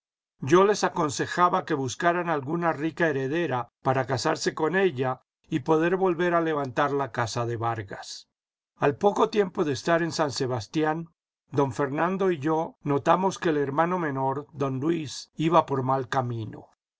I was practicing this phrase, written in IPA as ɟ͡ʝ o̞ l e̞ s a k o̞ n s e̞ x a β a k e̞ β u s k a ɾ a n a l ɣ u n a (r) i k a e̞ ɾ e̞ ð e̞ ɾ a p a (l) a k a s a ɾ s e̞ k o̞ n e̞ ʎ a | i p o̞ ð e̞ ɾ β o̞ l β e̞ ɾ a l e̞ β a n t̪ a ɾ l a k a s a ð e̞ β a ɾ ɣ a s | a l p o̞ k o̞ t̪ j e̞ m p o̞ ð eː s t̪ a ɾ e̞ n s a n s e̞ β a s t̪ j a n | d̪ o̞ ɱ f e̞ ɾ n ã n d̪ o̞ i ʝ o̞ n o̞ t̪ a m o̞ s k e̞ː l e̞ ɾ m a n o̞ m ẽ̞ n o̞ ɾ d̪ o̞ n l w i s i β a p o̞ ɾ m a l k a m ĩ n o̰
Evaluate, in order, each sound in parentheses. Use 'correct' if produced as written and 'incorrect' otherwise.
correct, incorrect: ɾ

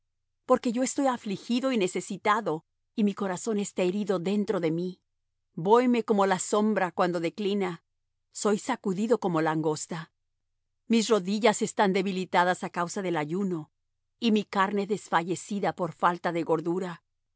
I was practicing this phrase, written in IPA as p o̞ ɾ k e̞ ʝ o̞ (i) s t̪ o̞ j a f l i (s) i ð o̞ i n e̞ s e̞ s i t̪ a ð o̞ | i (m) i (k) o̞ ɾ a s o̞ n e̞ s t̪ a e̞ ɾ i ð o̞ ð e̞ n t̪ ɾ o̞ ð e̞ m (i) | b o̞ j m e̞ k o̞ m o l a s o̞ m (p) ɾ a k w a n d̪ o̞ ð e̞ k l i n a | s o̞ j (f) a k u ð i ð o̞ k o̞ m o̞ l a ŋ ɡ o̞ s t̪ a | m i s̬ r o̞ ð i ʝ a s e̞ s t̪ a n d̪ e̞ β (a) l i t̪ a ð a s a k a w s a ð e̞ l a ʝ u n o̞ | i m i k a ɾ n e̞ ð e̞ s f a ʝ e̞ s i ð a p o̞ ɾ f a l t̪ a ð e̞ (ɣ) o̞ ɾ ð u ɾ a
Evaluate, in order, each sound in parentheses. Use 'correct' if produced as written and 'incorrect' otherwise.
incorrect: e, incorrect: x, correct, correct, correct, incorrect: b, incorrect: s, incorrect: i, correct

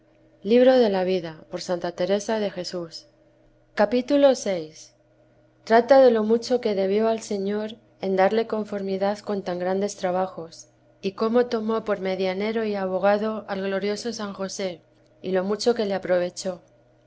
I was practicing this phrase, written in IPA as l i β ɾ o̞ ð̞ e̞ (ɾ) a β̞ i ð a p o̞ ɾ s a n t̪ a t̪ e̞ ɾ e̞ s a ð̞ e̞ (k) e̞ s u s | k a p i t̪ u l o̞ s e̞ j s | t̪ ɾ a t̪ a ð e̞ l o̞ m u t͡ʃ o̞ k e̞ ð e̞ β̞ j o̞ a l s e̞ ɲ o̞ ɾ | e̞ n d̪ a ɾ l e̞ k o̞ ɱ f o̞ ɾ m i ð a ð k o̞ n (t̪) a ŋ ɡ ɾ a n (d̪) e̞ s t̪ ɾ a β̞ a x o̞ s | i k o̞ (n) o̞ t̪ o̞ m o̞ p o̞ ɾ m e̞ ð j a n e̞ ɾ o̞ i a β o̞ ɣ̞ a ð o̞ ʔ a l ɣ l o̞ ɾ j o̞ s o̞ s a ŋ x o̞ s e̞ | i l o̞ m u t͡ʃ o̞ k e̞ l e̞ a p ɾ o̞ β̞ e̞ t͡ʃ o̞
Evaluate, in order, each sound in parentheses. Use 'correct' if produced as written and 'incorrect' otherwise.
incorrect: l, incorrect: x, correct, correct, incorrect: m

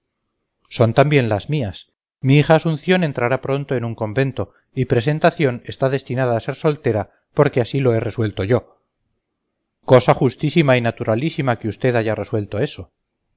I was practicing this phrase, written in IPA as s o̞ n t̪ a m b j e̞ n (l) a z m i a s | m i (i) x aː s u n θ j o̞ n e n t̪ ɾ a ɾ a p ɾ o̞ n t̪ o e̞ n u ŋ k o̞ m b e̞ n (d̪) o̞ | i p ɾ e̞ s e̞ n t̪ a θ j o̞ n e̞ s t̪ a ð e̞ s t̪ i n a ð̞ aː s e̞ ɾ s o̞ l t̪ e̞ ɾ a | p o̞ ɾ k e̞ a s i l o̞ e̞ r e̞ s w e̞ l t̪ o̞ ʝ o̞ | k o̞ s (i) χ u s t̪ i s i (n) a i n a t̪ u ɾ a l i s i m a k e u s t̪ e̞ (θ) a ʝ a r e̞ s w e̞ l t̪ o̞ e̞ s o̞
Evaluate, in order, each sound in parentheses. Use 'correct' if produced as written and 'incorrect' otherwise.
correct, correct, incorrect: t̪, incorrect: a, incorrect: m, incorrect: ð

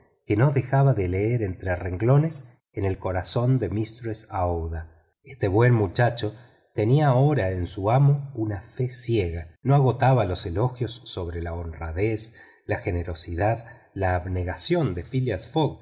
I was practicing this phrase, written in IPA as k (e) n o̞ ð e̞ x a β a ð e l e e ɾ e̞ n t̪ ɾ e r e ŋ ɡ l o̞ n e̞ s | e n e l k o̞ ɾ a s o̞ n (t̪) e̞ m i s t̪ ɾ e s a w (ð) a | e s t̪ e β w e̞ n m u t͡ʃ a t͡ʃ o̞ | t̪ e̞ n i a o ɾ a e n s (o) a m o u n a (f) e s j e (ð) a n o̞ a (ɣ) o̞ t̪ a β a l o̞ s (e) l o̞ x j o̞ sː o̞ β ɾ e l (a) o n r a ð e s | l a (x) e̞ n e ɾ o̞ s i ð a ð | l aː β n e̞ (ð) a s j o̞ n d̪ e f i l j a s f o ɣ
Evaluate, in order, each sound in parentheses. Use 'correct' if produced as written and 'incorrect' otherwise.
correct, incorrect: d̪, correct, incorrect: u, correct, incorrect: ɣ, correct, correct, correct, correct, incorrect: ɣ

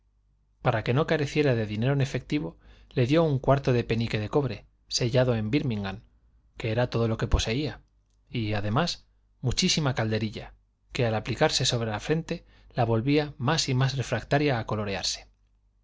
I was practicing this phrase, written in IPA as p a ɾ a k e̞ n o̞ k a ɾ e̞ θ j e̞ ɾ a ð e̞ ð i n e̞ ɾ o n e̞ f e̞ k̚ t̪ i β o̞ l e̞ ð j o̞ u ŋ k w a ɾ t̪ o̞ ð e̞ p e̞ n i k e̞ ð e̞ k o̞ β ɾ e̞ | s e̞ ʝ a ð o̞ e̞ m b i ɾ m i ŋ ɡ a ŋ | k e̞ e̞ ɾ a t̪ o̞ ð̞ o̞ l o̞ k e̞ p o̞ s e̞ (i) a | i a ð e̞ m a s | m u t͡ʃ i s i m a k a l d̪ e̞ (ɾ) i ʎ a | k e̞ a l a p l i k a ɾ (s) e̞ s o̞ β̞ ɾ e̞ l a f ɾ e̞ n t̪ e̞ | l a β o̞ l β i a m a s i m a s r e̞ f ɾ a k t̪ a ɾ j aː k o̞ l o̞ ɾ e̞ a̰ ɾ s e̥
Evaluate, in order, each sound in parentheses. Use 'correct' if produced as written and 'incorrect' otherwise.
correct, correct, correct

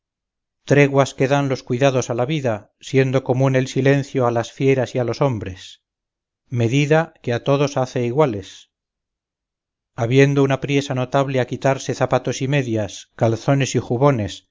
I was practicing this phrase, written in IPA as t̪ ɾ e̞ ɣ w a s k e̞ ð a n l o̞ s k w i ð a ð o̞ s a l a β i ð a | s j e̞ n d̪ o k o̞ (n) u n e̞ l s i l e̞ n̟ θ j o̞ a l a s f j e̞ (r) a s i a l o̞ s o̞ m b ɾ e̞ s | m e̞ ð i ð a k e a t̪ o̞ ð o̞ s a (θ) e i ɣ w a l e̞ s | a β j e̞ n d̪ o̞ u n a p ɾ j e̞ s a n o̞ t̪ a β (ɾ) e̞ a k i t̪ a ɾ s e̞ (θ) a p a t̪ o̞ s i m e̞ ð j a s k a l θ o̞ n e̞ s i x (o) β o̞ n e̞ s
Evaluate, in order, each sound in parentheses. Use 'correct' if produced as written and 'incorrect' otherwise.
incorrect: m, incorrect: ɾ, correct, incorrect: l, correct, incorrect: u

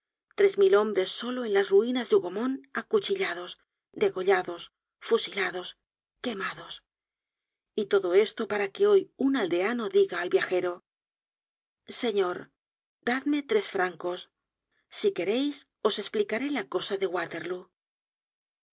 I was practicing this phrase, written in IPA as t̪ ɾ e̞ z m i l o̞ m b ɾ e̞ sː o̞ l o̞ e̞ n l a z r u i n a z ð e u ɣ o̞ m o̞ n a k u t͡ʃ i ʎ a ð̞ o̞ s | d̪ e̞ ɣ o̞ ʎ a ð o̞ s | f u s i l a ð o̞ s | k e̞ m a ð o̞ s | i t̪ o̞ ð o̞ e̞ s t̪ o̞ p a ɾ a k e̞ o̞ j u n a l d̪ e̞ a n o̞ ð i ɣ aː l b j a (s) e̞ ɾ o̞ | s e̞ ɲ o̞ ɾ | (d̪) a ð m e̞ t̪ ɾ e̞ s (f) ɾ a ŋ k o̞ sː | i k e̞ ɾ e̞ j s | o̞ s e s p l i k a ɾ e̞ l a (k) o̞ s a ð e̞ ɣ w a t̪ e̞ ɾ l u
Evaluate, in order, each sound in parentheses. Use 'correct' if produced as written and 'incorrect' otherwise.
incorrect: x, correct, correct, correct

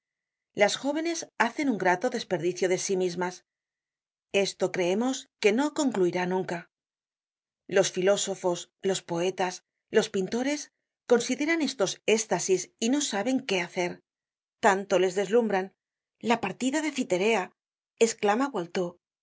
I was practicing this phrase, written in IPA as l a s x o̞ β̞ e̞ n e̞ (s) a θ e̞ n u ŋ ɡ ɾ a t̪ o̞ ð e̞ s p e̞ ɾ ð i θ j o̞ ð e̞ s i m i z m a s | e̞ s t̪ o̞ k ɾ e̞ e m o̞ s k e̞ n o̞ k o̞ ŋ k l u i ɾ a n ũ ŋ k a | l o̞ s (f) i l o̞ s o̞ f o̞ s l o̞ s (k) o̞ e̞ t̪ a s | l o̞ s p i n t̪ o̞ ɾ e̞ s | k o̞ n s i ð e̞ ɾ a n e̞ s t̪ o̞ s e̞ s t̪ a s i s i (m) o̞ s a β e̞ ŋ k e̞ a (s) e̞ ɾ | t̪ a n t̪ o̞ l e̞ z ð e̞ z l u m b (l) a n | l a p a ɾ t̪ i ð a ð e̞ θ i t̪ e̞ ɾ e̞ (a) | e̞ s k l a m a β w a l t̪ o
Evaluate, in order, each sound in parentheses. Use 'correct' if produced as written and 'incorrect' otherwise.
correct, correct, incorrect: p, incorrect: n, incorrect: θ, incorrect: ɾ, correct

